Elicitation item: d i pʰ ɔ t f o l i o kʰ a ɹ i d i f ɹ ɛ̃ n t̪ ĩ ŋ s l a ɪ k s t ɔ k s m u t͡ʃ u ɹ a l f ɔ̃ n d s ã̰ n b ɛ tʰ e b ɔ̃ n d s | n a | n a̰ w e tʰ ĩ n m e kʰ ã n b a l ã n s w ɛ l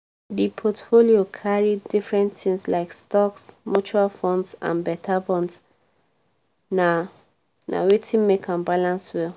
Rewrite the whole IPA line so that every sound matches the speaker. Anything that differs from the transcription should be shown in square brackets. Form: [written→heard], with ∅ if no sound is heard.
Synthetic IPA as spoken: d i pʰ ɔ t f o l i o kʰ a ɹ i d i f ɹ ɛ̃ n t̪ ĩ ŋ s l a ɪ k s t ɔ k s m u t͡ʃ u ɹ a l f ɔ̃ n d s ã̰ n b ɛ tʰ [e→a] b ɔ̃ n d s | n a | n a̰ w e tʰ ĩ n m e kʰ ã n b a l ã n s w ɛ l